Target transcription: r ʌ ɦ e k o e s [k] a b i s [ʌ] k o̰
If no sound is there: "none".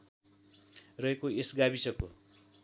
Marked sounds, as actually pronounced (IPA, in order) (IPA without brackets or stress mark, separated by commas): ɡ, ʌ